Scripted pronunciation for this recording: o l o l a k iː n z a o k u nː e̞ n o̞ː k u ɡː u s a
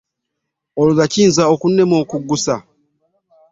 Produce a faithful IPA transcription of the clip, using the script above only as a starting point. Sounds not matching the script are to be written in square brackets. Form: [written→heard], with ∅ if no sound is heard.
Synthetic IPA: o l [o→u] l a [k→c] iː n z a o k u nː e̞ [n→m] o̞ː k u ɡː u s a